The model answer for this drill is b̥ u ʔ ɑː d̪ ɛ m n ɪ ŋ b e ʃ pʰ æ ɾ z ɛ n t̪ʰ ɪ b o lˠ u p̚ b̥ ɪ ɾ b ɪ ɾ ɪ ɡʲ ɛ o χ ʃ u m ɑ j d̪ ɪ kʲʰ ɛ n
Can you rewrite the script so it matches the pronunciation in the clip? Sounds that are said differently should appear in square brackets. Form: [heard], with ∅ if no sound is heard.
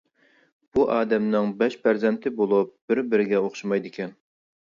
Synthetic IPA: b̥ u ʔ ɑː d̪ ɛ m n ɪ ŋ b [ɛ] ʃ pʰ æ ɾ z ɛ n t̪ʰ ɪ b o lˠ u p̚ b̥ ɪ ɾ b ɪ ɾ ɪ ɡʲ ɛ o χ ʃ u m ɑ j d̪ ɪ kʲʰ ɛ n